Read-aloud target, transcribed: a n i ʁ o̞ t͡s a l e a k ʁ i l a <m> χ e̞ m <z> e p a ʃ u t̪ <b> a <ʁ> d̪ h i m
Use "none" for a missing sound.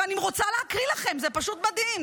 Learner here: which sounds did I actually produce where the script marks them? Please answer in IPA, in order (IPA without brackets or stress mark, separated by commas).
none, z, m, none